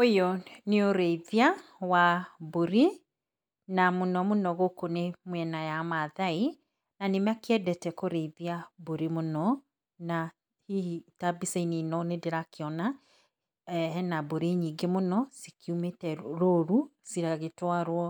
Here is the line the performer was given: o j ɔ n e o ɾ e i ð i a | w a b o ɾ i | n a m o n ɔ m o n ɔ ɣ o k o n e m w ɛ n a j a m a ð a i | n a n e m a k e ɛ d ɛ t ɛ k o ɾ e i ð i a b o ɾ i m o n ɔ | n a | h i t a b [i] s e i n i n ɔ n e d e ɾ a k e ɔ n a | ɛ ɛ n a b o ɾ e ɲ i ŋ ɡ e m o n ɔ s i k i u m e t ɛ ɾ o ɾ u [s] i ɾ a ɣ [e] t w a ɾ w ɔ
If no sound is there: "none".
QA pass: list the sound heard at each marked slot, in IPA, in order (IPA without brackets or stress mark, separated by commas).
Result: i, s, e